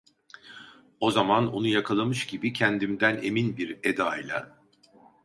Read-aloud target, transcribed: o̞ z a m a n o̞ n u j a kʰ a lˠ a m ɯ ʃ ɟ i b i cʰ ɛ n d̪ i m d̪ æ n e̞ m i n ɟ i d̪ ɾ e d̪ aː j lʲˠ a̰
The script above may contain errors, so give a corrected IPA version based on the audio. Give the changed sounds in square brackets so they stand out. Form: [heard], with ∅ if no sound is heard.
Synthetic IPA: o̞ z a m a n o̞ n u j a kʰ a lˠ a m ɯ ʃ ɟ i b i cʰ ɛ n d̪ i m d̪ æ n e̞ m i n [b] i [∅] ɾ e d̪ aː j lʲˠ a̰